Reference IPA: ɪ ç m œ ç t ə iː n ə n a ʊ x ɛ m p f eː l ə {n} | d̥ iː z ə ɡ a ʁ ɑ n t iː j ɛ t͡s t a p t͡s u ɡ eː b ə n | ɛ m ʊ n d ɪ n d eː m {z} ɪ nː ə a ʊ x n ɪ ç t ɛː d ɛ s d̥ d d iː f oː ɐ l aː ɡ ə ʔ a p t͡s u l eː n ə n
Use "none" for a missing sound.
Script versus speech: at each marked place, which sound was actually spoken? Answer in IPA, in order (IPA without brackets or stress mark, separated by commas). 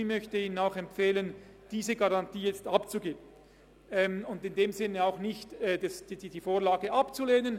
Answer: n, z